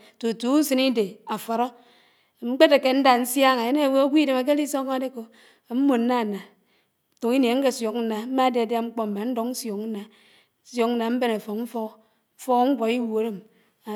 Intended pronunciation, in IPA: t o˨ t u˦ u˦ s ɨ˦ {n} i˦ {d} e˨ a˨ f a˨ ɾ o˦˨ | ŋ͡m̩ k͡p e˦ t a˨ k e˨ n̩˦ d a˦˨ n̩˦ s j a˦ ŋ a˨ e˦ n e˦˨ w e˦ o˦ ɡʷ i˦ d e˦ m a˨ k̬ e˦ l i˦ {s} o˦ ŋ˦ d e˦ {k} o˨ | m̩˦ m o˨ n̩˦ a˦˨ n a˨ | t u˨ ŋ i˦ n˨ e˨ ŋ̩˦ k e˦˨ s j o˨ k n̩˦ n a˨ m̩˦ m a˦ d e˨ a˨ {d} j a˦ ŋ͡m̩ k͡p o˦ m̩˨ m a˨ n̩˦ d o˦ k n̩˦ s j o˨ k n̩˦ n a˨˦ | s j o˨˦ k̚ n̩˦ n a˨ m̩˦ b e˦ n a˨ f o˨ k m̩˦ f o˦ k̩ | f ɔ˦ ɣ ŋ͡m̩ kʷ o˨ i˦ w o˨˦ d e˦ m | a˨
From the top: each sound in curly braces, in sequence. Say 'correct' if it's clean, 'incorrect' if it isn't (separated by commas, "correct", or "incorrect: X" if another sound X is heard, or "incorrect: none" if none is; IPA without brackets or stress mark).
correct, correct, correct, correct, correct